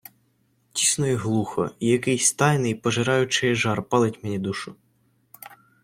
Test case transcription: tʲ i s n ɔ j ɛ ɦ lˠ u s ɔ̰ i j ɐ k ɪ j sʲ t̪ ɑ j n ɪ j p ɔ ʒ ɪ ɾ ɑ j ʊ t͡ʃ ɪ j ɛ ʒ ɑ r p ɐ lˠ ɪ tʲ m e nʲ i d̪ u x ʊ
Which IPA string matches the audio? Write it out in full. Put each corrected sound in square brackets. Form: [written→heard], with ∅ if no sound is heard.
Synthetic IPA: tʲ i s n ɔ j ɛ ɦ lˠ u [s→x] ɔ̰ i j ɐ k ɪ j sʲ t̪ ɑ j n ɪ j p ɔ ʒ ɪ ɾ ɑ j ʊ t͡ʃ ɪ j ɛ ʒ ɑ r p [ɐ→ɑ] lˠ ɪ tʲ m e nʲ i d̪ u [x→ʃ] ʊ

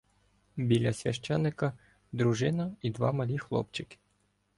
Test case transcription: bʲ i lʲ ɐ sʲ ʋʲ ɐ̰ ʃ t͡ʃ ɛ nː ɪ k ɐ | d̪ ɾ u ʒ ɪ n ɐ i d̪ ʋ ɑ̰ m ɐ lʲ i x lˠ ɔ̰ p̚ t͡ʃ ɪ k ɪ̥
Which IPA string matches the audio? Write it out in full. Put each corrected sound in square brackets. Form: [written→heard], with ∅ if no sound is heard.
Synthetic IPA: bʲ i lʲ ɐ sʲ ʋʲ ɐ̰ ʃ t͡ʃ ɛ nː ɪ k ɐ | d̪ ɾ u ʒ ɪ n ɐ i d̪ ʋ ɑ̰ m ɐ lʲ i x lˠ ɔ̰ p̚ t͡ʃ ɪ k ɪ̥

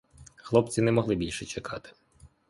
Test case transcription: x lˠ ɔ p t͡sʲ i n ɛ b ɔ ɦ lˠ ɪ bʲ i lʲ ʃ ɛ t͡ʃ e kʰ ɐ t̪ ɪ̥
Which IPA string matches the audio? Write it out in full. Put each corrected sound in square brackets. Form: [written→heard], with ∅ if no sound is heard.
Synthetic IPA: x lˠ ɔ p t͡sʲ i n ɛ [b→m] ɔ ɦ lˠ ɪ bʲ i lʲ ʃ ɛ t͡ʃ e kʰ [ɐ→ɑ] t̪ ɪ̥

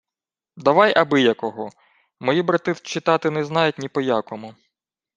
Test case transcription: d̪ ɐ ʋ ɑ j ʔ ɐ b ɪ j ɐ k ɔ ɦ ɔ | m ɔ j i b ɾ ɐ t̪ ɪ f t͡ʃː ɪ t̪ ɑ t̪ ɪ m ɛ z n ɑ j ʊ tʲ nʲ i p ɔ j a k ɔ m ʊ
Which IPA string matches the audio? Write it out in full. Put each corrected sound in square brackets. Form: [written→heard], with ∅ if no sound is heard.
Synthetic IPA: d̪ ɐ ʋ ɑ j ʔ ɐ b ɪ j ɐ k ɔ ɦ ɔ | m ɔ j i b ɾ ɐ t̪ ɪ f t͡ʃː ɪ t̪ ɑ t̪ ɪ [m→n] ɛ z n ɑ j ʊ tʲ nʲ i p ɔ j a k ɔ m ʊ

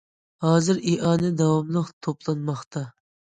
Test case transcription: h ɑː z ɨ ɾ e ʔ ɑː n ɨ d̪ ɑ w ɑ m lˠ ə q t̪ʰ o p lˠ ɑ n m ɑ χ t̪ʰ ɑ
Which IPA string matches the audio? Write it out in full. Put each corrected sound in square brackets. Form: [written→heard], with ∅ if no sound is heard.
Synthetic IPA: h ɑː z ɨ ɾ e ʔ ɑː n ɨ d̪ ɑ w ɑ m lˠ ə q t̪ʰ o p lˠ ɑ n m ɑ χ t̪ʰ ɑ

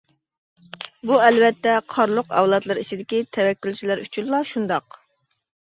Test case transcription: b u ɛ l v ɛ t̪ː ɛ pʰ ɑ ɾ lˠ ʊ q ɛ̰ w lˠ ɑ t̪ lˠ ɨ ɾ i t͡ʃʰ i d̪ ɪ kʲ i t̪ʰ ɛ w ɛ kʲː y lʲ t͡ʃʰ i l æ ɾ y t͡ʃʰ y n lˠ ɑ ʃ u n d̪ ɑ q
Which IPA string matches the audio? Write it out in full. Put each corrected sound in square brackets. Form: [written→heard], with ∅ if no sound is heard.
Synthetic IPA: b u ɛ l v ɛ t̪ː ɛ [pʰ→qʰ] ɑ ɾ lˠ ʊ q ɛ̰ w lˠ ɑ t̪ lˠ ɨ ɾ i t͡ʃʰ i d̪ ɪ kʲ i t̪ʰ ɛ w ɛ kʲː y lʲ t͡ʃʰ i l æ ɾ y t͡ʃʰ y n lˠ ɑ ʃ u n d̪ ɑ q

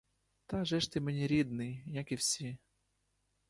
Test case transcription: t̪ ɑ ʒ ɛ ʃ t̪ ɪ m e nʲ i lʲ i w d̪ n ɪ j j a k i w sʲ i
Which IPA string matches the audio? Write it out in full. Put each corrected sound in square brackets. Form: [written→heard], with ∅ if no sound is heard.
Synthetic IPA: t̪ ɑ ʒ ɛ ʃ t̪ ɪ m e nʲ i [lʲ→ɾʲ] i [w→∅] d̪ n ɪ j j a k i w sʲ i

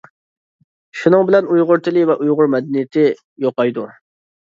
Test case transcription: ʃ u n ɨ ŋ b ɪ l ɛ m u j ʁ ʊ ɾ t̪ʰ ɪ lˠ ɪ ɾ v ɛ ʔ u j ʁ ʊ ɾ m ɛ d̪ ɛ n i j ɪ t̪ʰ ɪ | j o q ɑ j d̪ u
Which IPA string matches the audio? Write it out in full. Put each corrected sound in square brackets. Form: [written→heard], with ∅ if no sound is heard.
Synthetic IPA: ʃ u n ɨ ŋ b ɪ l ɛ [m→n] u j ʁ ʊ ɾ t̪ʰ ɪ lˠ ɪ [ɾ→∅] v ɛ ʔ u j ʁ ʊ ɾ m ɛ d̪ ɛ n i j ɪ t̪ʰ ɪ | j o q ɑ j d̪ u

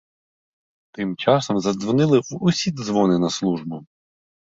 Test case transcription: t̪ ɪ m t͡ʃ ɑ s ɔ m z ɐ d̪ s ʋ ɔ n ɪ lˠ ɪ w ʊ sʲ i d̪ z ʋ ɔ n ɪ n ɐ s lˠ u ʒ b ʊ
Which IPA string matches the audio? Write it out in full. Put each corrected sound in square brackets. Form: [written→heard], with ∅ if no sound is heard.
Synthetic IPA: t̪ ɪ m t͡ʃ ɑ s ɔ m z ɐ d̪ [s→z] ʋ ɔ n ɪ lˠ ɪ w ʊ sʲ i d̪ z ʋ ɔ n ɪ n ɐ s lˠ u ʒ b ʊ

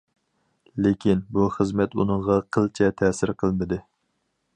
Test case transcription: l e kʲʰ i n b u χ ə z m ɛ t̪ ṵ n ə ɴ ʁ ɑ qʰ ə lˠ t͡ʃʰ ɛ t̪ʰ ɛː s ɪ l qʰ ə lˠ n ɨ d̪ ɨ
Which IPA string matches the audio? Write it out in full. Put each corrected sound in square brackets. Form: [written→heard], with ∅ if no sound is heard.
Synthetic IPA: l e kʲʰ i n b u χ ə z m ɛ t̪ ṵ n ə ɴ ʁ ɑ qʰ ə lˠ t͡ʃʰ ɛ t̪ʰ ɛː s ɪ [l→ɾ] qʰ ə lˠ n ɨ d̪ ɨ

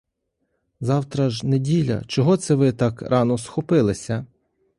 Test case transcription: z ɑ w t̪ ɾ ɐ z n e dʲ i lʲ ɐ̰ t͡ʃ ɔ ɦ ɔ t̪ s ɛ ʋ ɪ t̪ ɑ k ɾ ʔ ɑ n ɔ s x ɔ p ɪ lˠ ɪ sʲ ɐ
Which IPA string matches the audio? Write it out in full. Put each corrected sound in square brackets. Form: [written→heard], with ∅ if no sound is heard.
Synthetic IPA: z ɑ w t̪ ɾ ɐ [z→ʒ] n e dʲ i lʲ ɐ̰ t͡ʃ ɔ ɦ ɔ t̪ s ɛ ʋ ɪ t̪ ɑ k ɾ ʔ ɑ n ɔ s x ɔ p ɪ lˠ ɪ sʲ ɐ

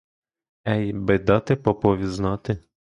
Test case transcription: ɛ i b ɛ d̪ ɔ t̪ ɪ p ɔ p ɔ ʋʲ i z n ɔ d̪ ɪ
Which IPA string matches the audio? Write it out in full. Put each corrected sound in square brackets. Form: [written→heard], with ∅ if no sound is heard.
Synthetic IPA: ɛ [i→j] b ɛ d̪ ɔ t̪ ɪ p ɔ p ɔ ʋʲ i z n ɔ [d̪→t̪] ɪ

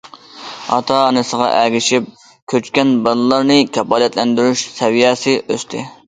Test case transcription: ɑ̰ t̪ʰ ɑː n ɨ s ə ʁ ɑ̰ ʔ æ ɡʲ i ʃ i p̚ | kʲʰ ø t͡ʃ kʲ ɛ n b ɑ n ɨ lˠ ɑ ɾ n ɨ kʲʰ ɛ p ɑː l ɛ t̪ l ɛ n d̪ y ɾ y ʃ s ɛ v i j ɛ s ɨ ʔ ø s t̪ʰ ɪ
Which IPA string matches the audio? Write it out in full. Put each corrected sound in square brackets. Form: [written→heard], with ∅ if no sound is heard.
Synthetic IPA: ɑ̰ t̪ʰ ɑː n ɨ s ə ʁ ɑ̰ ʔ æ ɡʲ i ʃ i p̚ | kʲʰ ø t͡ʃ kʲ ɛ n b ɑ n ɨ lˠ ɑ ɾ n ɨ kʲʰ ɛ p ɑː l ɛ t̪ l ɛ n d̪ y ɾ y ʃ s ɛ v i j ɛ s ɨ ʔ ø s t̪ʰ ɪ

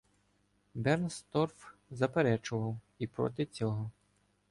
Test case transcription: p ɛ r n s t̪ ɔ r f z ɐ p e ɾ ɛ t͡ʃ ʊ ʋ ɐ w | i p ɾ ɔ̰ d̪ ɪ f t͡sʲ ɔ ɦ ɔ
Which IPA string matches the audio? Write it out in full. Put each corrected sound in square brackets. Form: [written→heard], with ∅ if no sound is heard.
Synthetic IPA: [p→b] ɛ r n s t̪ ɔ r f z ɐ p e ɾ ɛ t͡ʃ ʊ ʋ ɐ w | i p ɾ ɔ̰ [d̪→t̪] ɪ [f→∅] t͡sʲ ɔ ɦ ɔ

